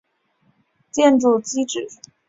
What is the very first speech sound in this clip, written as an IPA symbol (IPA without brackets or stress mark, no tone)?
t͡ɕ